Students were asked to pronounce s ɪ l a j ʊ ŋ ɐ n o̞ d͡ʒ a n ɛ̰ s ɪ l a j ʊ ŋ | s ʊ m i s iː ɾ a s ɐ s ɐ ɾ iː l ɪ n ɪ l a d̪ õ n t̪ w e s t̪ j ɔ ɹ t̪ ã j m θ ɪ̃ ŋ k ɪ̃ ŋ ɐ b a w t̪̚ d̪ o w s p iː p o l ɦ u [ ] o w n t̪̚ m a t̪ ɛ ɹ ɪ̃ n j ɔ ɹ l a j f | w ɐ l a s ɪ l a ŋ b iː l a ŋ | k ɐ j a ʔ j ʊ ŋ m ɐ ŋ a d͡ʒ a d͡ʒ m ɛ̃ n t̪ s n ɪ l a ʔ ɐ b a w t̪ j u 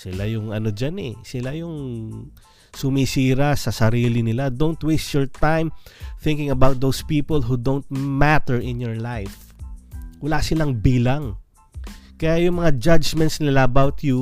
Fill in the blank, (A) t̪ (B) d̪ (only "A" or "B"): B